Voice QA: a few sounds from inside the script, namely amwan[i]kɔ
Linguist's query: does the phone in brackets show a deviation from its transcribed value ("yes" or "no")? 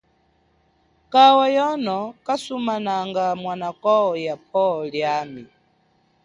yes